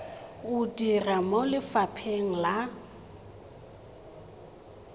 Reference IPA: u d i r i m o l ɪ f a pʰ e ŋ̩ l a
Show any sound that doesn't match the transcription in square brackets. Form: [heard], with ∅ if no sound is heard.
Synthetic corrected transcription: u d i r [a] m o l ɪ f a pʰ e ŋ̩ l a